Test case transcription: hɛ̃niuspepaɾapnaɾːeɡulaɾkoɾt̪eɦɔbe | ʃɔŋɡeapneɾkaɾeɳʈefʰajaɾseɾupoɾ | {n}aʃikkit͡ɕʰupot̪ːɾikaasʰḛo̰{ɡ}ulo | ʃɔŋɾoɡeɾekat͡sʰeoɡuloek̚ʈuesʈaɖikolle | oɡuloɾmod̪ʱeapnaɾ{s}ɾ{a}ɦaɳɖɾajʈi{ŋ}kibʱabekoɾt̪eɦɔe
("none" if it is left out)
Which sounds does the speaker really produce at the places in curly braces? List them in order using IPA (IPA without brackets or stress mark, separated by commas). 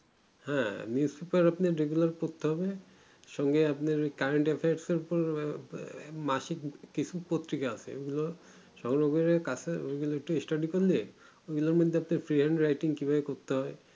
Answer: m, ɡ, f, i, ŋ